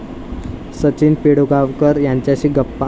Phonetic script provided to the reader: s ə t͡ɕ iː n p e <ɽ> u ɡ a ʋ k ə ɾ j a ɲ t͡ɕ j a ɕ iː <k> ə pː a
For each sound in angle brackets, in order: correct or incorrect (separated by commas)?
correct, incorrect